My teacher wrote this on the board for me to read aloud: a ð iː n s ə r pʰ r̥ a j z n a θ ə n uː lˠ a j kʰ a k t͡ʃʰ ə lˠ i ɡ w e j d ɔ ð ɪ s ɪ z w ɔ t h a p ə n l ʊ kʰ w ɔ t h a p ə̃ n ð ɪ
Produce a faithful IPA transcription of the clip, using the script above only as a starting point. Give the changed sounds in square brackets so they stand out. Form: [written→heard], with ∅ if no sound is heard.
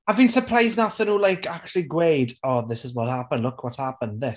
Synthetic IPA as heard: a [ð→v] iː n s ə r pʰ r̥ a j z n a θ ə n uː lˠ a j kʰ a k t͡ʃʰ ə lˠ i ɡ w e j d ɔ ð ɪ s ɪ z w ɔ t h a p ə n l ʊ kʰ w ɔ t h a p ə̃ n ð ɪ

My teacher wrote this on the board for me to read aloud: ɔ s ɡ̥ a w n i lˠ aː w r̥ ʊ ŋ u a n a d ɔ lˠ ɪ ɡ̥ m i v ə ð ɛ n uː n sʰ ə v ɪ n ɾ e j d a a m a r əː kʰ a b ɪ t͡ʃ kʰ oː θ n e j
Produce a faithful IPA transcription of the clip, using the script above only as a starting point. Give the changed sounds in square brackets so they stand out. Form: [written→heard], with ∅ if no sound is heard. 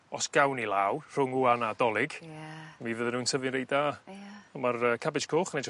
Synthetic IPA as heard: ɔ s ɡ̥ a w n i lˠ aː w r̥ ʊ ŋ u a n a d ɔ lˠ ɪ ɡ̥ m i v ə ð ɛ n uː n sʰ ə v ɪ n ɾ e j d a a m a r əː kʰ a b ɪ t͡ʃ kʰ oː [θ→χ] n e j

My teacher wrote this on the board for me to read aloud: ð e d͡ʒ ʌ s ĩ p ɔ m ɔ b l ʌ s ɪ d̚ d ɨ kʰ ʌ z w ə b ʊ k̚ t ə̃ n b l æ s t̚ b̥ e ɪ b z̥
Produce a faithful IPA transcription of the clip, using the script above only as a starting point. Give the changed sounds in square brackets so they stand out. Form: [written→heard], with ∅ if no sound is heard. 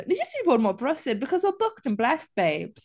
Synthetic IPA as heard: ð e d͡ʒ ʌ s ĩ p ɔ m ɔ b [l→ɹ] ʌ s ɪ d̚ [d→b] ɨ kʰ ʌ z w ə b ʊ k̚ t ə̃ n b l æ s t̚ b̥ e ɪ b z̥

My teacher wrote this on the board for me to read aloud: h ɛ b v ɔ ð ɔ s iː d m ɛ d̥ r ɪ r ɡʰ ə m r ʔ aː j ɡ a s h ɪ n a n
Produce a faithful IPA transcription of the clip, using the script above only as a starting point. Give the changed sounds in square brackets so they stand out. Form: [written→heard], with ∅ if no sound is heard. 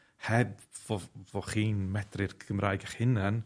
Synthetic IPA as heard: h ɛ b v ɔ [ð→v] ɔ [s→χ] iː [d→n] m ɛ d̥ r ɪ r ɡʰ ə m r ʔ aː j ɡ a [s→χ] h ɪ n a n

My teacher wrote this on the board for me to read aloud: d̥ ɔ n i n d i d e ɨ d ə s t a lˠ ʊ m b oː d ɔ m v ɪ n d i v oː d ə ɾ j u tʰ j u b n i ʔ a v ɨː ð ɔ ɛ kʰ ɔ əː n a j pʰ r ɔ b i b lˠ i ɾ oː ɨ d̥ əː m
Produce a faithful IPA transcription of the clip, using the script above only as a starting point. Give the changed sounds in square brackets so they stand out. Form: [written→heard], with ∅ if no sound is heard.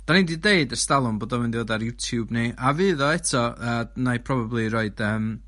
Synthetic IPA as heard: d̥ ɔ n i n d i d e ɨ d ə s t a lˠ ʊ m b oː d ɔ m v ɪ n d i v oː d [ə→a] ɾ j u tʰ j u b n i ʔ a v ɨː ð ɔ ɛ [kʰ→tʰ] ɔ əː n a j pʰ r ɔ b [i→a] b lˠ i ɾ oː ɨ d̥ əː m

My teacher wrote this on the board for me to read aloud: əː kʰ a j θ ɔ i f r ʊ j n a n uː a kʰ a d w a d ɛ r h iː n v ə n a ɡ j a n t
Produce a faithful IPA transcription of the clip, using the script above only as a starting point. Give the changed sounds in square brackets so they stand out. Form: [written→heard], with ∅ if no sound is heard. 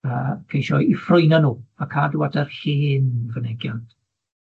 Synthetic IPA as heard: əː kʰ [a→e] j [θ→ʃ] ɔ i f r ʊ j n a n uː a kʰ a d w a d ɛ r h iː n v ə n [a→ɛ] ɡ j a n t

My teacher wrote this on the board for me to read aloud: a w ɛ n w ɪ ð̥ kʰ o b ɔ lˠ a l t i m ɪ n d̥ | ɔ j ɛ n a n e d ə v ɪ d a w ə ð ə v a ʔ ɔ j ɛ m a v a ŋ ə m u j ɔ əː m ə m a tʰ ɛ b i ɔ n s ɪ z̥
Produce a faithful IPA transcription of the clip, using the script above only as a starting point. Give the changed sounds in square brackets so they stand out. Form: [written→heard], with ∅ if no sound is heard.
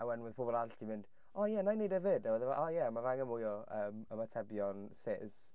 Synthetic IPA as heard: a w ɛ n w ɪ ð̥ [kʰ→pʰ] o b ɔ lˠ a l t i m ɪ n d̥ | ɔ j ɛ n a n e d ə v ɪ d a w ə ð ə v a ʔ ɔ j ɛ m a v a ŋ ə m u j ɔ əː m ə m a tʰ ɛ b [i→j] ɔ n s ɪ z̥

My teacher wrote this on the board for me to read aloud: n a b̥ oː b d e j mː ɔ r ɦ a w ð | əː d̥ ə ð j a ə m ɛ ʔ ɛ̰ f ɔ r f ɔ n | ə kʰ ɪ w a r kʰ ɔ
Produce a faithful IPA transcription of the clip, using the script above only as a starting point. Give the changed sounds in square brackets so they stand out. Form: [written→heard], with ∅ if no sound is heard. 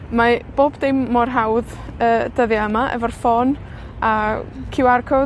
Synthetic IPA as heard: [n→m] a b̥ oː b d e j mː ɔ r ɦ a w ð | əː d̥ ə ð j a ə m [ɛ→a] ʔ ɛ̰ [f→v] ɔ r f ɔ n | [ə→a] kʰ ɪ w a r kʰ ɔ

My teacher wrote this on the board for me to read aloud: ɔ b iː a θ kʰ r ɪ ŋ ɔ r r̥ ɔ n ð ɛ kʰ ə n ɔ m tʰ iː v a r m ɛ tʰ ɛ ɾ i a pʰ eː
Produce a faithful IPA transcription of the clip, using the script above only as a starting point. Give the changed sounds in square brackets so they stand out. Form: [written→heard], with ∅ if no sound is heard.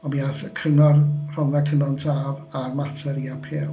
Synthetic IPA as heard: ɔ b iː a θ kʰ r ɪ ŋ ɔ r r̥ ɔ n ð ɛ kʰ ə n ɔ [m→n] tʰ [iː→aː] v a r m [ɛ→a] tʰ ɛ ɾ i a pʰ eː

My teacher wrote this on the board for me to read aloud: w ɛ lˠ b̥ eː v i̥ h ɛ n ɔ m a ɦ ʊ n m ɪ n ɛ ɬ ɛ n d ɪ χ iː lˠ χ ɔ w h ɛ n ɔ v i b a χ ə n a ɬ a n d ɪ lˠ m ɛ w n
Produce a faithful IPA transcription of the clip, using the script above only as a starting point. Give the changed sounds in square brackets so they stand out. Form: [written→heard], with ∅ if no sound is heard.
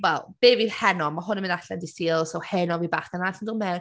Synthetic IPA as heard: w ɛ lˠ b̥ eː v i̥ h ɛ n ɔ m a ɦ ʊ n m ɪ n [ɛ→a] ɬ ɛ n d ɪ [χ→s] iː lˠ [χ→s] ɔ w h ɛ n ɔ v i b a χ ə n a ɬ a n d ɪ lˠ m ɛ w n

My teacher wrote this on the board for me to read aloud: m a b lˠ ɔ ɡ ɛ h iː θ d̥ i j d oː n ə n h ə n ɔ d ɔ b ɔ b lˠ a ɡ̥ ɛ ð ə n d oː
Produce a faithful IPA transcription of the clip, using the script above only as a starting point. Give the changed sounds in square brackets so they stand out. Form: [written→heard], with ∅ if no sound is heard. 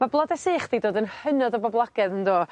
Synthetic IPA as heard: m a b lˠ ɔ [ɡ→d] ɛ [h→s] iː [θ→χ] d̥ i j d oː [n→d] ə n h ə n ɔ d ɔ b ɔ b lˠ a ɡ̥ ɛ ð ə n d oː

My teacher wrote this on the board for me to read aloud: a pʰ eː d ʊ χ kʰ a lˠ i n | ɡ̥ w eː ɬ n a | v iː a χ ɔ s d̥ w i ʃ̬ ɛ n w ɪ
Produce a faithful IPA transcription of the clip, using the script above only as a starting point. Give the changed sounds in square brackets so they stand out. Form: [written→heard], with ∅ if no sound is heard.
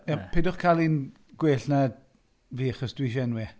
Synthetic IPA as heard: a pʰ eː d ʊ χ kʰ a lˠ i n | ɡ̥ w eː ɬ n a | v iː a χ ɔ s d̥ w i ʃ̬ ɛ n w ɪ

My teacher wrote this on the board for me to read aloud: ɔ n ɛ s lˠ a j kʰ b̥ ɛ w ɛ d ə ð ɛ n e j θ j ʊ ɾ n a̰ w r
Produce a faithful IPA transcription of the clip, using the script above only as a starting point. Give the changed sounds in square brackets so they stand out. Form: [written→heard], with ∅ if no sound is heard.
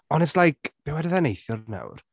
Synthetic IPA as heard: ɔ n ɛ s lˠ a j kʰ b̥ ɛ w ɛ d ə ð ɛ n e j θ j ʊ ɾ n a̰ w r

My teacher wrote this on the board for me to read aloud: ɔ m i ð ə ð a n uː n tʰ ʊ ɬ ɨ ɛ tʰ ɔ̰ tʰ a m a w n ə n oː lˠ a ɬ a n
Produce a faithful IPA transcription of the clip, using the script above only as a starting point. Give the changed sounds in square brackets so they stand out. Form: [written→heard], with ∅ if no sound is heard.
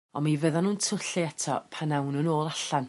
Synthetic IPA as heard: ɔ m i [ð→v] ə ð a n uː n tʰ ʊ ɬ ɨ ɛ tʰ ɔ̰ [tʰ→pʰ] a [m→n] a w n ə n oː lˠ a ɬ a n

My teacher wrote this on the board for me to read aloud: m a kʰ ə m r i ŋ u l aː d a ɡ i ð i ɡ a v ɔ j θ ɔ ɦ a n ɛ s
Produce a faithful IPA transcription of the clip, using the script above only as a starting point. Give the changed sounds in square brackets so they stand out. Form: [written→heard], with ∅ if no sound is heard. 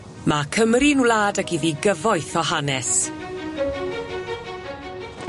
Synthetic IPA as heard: m a kʰ ə m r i [ŋ→n] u l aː d a ɡ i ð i ɡ [a→ə] v ɔ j θ ɔ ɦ a n ɛ s

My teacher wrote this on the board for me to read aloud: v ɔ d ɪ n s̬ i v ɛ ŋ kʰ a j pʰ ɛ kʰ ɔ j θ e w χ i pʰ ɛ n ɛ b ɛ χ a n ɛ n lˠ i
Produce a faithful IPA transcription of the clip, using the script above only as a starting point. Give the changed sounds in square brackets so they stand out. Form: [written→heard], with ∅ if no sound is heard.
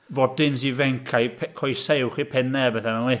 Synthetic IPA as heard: v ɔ d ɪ n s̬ i v ɛ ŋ kʰ a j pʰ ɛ kʰ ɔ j [θ→s] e w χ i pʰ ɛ n ɛ b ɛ [χ→θ] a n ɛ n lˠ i

